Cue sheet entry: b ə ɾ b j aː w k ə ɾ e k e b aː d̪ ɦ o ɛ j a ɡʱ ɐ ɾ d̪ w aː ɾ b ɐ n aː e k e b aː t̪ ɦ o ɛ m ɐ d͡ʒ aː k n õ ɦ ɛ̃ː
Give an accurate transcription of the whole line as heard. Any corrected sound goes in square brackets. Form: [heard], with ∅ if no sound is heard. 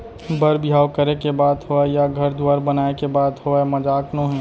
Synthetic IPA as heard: b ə ɾ b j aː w k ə ɾ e k e b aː d̪ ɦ o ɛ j a ɡʱ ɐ ɾ d̪ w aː ɾ b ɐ n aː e k e b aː [d̪] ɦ o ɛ m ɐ d͡ʒ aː k n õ ɦ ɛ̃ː